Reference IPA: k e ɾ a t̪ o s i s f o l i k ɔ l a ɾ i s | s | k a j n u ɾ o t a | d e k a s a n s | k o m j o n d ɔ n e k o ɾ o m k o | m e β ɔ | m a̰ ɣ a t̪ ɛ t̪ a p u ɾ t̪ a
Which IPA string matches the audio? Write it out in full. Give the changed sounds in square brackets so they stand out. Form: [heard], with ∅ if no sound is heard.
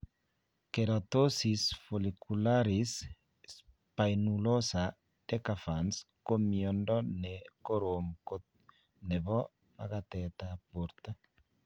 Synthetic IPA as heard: k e ɾ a t̪ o s i s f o l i k [u] l a ɾ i s | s | [p] a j n u [l] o [s] a | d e k a [f] a n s | k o m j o n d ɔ n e k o ɾ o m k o | [n] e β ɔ | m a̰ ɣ a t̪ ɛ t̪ a p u ɾ t̪ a